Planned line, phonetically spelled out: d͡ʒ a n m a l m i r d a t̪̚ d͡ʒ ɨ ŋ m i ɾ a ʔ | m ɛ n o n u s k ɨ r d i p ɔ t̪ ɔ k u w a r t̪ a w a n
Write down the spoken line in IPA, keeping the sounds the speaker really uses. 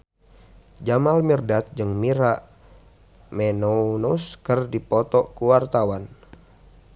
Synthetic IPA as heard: d͡ʒ a m a l m i r d a t̪̚ d͡ʒ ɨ ŋ m i ɾ a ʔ | m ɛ n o n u s k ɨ r d i p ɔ t̪ ɔ k u w a r t̪ a w a n